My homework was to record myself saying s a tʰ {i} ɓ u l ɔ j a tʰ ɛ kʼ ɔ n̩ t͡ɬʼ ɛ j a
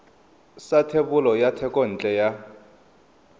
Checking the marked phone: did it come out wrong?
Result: yes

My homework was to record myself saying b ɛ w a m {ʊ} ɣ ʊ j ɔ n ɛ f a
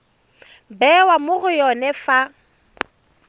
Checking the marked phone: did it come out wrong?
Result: no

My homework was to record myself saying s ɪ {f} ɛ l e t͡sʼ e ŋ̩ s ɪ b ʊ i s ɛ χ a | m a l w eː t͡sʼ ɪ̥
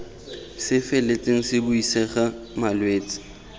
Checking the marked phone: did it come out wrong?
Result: no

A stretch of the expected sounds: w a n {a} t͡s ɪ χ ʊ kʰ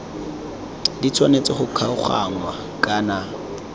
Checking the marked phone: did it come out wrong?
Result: yes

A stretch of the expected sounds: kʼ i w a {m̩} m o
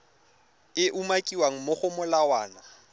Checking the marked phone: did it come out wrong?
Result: yes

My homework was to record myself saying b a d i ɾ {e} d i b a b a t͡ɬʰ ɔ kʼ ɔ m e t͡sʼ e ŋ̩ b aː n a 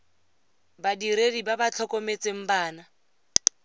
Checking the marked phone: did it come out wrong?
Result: no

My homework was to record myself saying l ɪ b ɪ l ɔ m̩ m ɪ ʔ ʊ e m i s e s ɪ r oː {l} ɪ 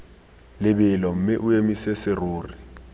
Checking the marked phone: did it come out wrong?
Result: yes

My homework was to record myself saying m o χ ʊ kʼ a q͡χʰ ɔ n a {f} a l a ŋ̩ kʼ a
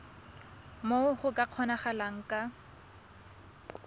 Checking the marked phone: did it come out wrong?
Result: yes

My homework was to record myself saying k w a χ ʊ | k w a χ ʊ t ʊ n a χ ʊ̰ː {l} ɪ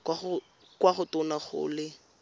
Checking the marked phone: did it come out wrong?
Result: no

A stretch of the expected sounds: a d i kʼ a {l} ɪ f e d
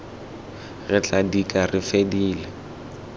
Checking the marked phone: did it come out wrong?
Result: yes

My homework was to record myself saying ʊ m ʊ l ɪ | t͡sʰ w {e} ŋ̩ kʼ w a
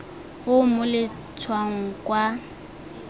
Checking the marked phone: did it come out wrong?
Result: yes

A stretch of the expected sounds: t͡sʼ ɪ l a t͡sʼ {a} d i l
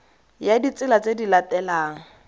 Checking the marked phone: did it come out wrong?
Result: yes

